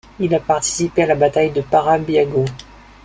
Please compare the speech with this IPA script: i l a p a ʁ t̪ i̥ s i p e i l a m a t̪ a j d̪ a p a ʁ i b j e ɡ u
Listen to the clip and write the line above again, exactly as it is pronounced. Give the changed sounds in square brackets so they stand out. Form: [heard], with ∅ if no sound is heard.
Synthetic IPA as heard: i l a p a ʁ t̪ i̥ s i p e [a] l a [b] a t̪ a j d̪ [ə] p a ʁ [a] b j [a] ɡ [o]